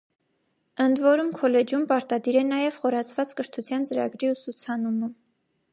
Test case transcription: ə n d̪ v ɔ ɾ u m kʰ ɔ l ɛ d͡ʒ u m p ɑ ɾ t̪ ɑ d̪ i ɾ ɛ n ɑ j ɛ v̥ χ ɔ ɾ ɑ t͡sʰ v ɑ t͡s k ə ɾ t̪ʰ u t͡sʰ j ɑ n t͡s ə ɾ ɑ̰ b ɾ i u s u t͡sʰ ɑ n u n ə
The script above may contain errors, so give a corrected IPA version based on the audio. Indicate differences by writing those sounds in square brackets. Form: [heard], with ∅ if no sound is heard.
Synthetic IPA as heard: ə n d̪ v ɔ ɾ u m kʰ ɔ l ɛ d͡ʒ u m p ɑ ɾ t̪ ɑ d̪ i ɾ ɛ n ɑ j ɛ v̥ χ ɔ ɾ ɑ t͡sʰ v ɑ t͡s k ə ɾ t̪ʰ u t͡sʰ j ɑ n t͡s ə ɾ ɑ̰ [ɡ] ɾ i u s u t͡sʰ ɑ n u [m] ə